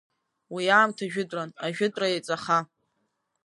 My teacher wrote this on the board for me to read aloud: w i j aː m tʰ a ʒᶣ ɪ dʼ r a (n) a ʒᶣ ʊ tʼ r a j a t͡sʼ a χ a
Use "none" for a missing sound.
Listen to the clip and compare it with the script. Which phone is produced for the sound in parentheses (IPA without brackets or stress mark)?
n